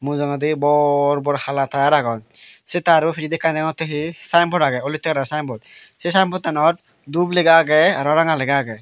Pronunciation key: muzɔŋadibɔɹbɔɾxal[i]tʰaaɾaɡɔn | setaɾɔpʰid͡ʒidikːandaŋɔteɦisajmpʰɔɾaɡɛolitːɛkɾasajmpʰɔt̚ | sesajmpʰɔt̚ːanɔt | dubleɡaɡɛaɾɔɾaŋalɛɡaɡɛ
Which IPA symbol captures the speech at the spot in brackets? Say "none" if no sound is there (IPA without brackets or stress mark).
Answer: a